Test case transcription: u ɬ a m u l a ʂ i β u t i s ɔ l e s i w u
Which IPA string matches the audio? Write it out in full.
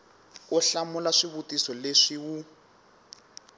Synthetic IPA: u ɬ a m u l a ʂ i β u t i s ɔ l e ʂ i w u